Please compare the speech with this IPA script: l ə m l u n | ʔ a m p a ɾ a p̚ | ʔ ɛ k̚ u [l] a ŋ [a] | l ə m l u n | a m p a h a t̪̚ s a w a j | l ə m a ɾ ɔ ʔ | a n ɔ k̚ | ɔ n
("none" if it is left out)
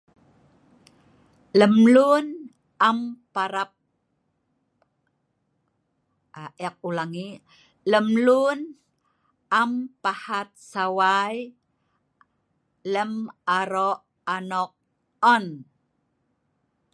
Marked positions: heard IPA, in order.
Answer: l, i

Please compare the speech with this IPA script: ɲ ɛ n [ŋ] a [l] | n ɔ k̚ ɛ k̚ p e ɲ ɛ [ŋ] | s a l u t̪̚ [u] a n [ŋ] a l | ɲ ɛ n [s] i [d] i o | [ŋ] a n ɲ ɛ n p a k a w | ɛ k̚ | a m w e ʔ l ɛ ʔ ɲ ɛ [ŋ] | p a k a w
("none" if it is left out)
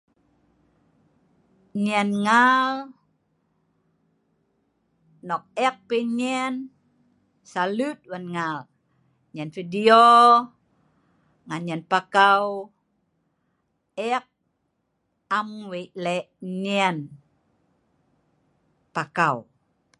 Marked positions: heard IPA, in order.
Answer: ŋ, l, n, w, ŋ, f, d, ŋ, n

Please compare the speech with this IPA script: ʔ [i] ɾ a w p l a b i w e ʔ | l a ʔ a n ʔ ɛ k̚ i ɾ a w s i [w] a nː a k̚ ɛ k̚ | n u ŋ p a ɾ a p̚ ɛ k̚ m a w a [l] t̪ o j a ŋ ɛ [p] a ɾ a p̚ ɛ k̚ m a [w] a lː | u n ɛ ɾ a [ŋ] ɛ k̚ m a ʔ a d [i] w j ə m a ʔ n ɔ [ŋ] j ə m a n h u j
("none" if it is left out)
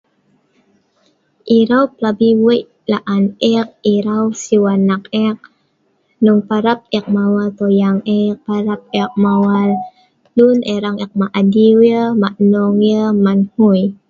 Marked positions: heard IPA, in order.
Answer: i, w, l, p, w, ŋ, i, ŋ

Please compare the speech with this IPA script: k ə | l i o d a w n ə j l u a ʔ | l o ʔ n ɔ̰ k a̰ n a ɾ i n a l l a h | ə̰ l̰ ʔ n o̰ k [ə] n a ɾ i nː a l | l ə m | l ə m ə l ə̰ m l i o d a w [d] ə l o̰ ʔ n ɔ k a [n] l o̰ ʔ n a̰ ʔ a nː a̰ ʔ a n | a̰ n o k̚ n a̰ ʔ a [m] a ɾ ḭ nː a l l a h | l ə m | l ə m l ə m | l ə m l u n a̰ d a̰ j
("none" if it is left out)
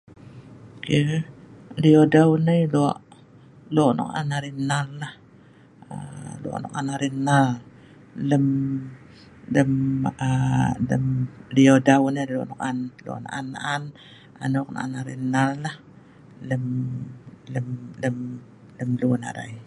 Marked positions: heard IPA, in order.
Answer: a, n, n, n

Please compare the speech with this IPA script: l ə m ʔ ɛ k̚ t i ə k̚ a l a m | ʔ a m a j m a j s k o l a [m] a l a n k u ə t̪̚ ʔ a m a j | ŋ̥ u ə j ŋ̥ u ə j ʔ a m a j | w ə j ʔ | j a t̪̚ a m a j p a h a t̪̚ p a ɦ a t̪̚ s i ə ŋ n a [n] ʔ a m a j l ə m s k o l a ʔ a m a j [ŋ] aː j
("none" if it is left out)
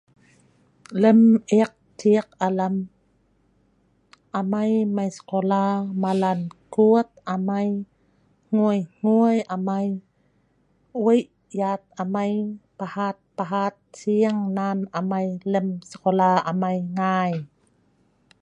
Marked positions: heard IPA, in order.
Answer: m, n, ŋ

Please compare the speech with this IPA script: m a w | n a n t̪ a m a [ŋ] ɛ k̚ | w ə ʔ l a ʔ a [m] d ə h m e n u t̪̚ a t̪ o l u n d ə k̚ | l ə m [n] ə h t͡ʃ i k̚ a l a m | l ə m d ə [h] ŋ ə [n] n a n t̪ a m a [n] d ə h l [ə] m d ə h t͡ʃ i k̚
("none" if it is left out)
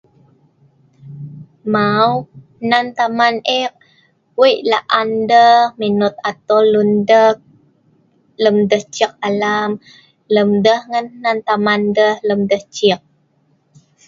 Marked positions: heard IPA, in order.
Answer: n, n, d, h, n, n, ə

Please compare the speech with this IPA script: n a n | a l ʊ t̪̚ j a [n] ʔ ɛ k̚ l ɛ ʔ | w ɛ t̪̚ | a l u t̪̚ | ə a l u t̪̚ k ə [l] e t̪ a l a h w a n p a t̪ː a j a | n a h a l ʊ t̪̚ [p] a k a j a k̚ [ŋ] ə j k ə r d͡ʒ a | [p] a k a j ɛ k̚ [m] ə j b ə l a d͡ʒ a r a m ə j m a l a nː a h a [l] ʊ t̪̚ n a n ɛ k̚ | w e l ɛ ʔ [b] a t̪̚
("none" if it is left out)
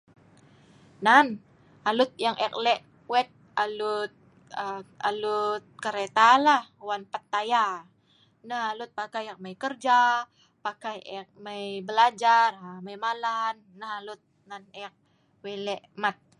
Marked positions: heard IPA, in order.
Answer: ŋ, ɾ, p, m, p, m, l, m

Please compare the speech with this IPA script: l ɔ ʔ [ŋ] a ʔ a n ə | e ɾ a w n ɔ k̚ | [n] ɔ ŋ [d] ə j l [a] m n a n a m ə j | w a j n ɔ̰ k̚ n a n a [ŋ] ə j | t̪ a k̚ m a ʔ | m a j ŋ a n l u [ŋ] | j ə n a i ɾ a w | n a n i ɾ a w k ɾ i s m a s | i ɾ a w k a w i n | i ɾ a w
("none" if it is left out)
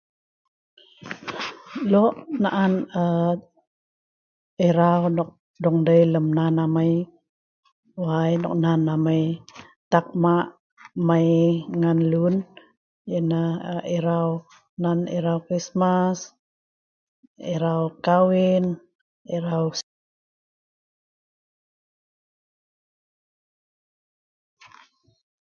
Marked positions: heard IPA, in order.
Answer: n, d, d, ə, m, n

